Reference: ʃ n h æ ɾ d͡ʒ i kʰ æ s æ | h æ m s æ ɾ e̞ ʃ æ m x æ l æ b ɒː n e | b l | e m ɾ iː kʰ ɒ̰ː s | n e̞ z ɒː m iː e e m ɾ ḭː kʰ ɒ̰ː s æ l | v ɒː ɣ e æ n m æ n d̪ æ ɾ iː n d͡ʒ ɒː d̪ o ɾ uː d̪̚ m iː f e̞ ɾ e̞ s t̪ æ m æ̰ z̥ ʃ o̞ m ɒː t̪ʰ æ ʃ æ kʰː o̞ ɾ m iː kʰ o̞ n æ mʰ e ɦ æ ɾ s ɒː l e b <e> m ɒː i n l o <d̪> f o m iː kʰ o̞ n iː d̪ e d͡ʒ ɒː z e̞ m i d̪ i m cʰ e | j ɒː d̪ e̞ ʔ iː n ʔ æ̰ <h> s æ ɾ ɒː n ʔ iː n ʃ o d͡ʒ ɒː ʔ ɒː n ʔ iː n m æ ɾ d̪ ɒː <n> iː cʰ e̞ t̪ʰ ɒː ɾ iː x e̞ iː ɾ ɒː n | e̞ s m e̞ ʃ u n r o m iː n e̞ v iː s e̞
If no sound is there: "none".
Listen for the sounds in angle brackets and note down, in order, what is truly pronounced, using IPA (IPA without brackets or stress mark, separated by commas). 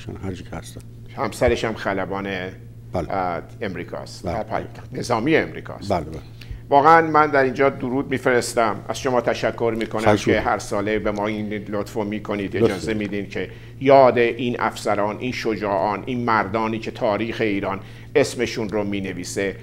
e, t̪, f, n